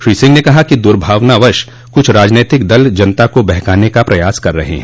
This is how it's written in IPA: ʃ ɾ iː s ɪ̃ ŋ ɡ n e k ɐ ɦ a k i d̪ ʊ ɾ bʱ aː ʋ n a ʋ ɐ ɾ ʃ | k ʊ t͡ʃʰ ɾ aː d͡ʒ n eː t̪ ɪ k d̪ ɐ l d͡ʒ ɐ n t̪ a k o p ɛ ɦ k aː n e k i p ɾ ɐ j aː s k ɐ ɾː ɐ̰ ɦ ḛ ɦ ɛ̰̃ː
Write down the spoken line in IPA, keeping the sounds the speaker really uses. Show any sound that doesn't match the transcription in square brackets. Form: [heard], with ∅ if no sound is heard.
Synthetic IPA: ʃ ɾ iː s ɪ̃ ŋ ɡ n e k ɐ ɦ a k i d̪ ʊ ɾ bʱ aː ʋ n a ʋ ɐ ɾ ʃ | k ʊ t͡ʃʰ ɾ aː d͡ʒ n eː t̪ ɪ k d̪ ɐ l d͡ʒ ɐ n t̪ a k o [b] ɛ ɦ k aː n e k [a] p ɾ ɐ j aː s k ɐ ɾː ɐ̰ ɦ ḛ ɦ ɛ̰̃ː